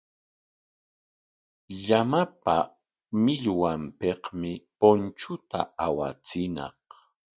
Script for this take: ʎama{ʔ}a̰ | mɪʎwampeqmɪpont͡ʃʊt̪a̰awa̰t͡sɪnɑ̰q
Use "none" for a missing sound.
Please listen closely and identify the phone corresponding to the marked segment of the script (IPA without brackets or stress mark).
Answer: p